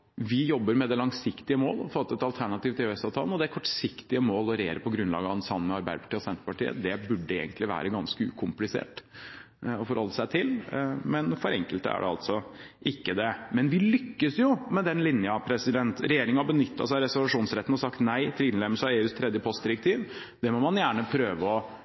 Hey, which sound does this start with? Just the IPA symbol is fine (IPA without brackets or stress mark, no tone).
ʋ